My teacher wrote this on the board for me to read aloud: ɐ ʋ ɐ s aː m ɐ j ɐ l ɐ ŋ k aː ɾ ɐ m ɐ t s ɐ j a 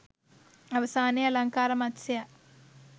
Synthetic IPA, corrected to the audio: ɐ ʋ ɐ s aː n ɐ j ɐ l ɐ ŋ k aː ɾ ɐ m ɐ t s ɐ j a